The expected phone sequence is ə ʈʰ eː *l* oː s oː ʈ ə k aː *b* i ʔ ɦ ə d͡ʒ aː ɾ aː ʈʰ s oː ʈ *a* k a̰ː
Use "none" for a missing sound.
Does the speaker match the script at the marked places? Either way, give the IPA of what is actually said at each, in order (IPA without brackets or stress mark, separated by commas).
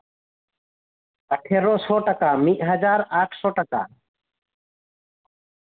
ɾ, m, ə